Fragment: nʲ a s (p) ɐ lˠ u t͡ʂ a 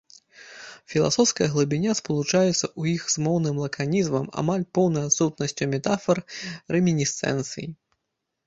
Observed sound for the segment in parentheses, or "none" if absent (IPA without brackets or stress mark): p